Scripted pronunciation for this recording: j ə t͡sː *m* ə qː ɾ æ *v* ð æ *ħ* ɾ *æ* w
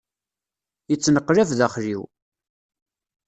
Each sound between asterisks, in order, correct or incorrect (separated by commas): incorrect, correct, incorrect, incorrect